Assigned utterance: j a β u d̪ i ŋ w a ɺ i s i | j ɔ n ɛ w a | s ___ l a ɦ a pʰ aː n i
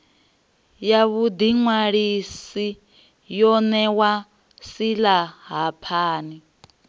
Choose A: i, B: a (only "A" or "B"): A